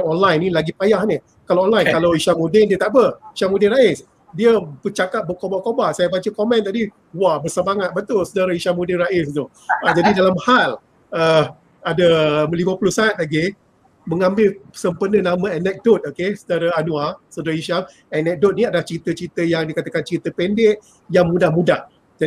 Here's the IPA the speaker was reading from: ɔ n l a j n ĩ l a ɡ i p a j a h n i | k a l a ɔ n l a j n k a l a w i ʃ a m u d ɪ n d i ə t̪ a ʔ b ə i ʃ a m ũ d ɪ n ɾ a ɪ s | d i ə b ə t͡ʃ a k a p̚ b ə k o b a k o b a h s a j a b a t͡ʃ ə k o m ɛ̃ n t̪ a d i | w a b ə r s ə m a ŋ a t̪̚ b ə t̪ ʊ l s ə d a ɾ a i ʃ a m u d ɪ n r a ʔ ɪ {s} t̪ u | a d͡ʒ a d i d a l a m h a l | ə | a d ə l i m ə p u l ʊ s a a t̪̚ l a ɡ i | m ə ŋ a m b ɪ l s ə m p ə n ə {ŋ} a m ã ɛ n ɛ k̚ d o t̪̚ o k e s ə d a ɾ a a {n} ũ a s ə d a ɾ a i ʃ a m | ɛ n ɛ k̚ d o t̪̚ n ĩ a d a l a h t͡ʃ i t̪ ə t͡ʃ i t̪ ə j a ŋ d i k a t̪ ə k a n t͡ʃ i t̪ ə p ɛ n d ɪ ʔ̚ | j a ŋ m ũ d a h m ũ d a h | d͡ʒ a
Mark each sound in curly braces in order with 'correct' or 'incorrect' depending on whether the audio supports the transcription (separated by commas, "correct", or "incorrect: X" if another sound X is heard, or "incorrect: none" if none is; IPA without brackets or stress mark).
correct, incorrect: n, correct